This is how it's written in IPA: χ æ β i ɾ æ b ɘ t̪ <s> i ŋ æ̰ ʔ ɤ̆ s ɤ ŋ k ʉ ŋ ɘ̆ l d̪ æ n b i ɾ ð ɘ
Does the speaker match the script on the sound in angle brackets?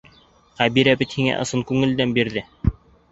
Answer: no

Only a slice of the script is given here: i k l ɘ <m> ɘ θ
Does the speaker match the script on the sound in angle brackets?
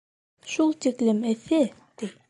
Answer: yes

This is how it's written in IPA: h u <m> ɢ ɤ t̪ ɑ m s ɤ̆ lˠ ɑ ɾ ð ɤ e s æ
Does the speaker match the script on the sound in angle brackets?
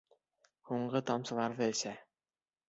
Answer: no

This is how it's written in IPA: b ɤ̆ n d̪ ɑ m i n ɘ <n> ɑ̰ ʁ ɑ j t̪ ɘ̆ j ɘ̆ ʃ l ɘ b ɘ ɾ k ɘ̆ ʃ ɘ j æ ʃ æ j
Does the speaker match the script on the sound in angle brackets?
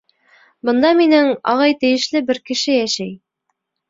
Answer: no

